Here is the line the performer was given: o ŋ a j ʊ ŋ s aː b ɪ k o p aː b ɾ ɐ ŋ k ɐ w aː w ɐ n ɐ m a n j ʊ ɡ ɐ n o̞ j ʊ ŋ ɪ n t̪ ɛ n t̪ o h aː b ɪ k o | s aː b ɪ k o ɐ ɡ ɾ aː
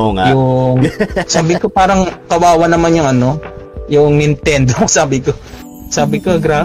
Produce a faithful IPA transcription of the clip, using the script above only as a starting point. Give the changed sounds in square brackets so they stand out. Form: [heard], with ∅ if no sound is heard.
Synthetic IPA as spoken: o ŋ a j ʊ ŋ s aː b ɪ k o p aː [∅] ɾ ɐ ŋ k ɐ w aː w ɐ n ɐ m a n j ʊ [ŋ] ɐ n o̞ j ʊ ŋ ɪ n t̪ ɛ n [d̪] o [s] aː b ɪ k o | s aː b ɪ k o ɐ ɡ ɾ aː